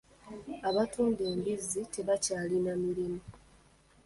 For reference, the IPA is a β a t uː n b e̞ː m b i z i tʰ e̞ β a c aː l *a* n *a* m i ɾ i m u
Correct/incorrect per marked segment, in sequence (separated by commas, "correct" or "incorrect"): incorrect, correct